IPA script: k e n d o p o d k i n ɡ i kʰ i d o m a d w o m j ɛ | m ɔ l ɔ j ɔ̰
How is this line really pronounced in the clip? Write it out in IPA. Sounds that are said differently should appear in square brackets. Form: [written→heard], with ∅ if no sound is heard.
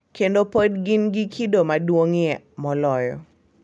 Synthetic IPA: k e n d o p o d [k→ɡ] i n ɡ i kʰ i d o m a d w o [m→ŋ] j ɛ | m ɔ l ɔ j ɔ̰

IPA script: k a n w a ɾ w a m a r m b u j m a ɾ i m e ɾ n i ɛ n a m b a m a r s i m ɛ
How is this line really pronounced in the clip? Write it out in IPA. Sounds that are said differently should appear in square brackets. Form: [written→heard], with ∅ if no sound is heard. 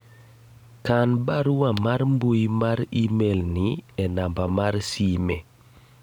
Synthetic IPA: k a n [w→b] a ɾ w a m a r m b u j m a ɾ i m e [ɾ→l] n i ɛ n a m b a m a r s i m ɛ

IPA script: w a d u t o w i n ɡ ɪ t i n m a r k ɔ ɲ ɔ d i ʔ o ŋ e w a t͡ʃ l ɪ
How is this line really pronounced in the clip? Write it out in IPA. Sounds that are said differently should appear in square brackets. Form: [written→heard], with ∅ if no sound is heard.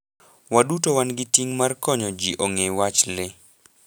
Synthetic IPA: w a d u t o w [i→a] n ɡ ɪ t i [n→ŋ] m a r k ɔ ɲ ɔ [d→d͡ʒ] i ʔ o ŋ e w a t͡ʃ l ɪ

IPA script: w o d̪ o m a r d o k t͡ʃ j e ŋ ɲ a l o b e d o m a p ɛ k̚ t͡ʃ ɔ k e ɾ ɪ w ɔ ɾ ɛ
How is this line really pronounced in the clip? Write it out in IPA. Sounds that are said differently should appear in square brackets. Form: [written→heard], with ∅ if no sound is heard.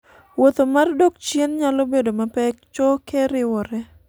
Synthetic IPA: w o [d̪→t̪] o m a r d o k t͡ʃ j e [ŋ→n] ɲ a l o b e d o m a p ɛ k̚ t͡ʃ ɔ k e ɾ ɪ w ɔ ɾ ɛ

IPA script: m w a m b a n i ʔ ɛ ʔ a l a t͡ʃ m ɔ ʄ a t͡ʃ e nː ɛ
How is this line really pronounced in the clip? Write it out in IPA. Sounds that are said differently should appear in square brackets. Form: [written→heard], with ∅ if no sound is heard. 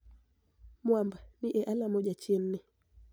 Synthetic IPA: m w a m b a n i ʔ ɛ ʔ a l a [t͡ʃ→∅] m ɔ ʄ a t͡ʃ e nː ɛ

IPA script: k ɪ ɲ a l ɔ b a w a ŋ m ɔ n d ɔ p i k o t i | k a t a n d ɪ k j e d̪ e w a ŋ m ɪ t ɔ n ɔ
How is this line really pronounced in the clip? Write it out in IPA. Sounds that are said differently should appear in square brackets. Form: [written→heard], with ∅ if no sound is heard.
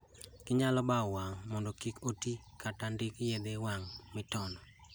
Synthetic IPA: k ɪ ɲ a l ɔ b a w a ŋ m ɔ n d ɔ [p→k] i k o t i | k a t a n d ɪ k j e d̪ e w a ŋ m ɪ t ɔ n ɔ

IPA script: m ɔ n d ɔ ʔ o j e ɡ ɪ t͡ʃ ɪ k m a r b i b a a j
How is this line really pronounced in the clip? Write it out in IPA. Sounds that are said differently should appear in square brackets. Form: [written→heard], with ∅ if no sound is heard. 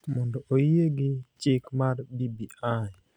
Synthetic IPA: m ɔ n d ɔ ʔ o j e ɡ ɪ t͡ʃ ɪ k m a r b i b [a→i] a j

